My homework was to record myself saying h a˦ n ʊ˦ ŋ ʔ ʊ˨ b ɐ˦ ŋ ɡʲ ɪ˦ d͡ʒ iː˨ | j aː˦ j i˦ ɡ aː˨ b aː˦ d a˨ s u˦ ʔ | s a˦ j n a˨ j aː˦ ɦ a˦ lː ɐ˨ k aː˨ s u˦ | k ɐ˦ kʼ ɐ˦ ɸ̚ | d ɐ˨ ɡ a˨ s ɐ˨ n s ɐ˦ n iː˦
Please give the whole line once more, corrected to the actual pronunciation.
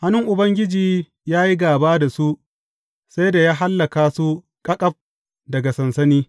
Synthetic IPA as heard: h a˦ n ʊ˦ ŋ ʔ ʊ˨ b ɐ˦ ŋ ɡʲ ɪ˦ d͡ʒ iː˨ | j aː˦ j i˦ ɡ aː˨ b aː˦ d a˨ s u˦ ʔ | s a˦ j d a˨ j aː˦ ɦ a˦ lː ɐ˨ k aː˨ s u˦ | kʼ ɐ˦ kʼ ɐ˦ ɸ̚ | d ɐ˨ ɡ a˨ s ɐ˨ n s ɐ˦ n iː˦